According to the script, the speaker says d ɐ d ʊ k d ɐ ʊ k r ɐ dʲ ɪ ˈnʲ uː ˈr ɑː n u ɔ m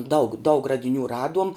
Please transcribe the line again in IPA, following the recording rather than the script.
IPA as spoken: d ɐ ʊ k d ɐ ʊ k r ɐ dʲ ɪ ˈnʲ uː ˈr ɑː d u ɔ m